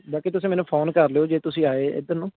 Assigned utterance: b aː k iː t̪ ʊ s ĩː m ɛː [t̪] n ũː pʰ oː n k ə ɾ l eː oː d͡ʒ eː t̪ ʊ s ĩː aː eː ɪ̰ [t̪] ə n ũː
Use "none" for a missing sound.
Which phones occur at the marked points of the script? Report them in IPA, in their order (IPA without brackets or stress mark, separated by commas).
none, d̪